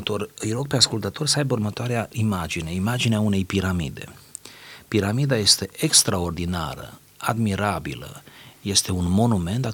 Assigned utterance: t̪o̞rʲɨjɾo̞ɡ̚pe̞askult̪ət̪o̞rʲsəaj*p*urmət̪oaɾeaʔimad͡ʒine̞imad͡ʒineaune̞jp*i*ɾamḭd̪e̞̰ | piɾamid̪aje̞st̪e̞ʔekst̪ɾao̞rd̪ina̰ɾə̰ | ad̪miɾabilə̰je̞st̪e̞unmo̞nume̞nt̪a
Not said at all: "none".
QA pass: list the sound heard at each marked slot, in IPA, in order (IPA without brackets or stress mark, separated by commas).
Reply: b, i